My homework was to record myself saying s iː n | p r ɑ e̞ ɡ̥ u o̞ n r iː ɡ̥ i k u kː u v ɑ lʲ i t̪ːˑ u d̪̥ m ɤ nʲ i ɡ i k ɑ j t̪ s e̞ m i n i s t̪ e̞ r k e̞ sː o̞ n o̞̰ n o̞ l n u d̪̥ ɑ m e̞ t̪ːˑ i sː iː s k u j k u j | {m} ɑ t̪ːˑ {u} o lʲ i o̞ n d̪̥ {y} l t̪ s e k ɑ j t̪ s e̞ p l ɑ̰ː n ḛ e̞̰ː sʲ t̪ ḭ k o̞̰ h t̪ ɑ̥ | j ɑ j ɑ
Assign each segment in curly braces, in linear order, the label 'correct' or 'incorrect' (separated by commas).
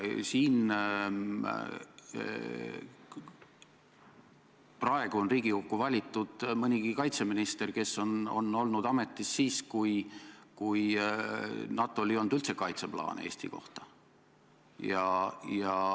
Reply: incorrect, incorrect, correct